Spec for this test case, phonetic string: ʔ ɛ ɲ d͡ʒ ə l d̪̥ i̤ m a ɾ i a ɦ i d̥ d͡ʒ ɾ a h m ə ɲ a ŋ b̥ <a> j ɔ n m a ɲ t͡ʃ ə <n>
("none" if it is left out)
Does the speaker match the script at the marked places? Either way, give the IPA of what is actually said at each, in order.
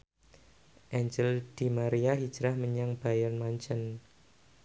a, n

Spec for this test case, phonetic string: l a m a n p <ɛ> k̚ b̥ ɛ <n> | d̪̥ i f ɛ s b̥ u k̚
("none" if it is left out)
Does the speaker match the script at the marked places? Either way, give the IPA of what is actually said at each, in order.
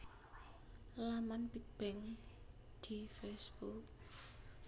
i, ŋ

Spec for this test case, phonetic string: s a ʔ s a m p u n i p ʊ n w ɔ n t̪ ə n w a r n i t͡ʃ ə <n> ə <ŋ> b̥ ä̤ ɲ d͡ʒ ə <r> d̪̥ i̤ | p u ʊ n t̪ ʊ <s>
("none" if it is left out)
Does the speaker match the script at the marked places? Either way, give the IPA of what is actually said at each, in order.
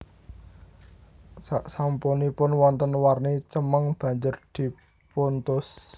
m, ŋ, r, s

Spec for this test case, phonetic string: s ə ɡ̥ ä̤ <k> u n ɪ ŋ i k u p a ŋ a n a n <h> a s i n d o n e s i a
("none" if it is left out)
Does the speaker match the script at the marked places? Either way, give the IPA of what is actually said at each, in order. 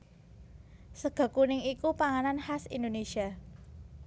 k, h

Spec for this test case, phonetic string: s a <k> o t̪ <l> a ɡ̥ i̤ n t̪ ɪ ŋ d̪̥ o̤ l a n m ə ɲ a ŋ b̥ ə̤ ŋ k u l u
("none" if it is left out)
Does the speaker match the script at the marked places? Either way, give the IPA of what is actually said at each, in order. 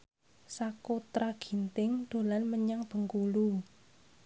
k, ɾ

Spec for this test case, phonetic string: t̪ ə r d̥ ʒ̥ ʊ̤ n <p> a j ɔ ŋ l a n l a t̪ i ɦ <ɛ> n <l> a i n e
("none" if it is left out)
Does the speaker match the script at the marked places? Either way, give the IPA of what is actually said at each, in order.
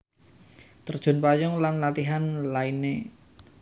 p, a, l

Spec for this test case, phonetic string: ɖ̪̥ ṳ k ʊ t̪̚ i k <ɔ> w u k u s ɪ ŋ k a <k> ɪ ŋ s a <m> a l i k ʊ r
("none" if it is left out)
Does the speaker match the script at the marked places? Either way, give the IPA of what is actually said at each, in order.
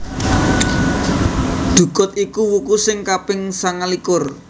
u, p, ŋ

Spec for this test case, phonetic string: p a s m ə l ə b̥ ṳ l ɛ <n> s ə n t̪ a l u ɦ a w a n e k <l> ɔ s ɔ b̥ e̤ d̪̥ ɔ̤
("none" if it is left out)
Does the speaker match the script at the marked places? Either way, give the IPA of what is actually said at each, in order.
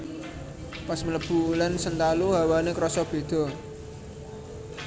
n, ɾ

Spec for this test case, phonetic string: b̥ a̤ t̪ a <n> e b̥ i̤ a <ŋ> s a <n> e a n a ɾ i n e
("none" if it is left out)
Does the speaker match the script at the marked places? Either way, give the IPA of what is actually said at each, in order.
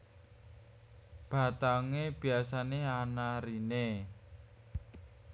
ŋ, none, n

